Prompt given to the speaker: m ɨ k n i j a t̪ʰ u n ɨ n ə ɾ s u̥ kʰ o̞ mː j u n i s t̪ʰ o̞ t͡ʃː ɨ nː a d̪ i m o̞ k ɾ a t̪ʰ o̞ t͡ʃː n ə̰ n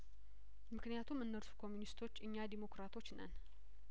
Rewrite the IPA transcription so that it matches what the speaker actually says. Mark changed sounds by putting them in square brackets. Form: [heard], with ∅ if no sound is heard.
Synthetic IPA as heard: m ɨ k n i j a t̪ʰ u [m] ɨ [nː] ə ɾ s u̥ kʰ o̞ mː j u n i s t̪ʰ o̞ t͡ʃː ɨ [ɲː] a d̪ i m o̞ k ɾ a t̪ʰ o̞ t͡ʃː n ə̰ n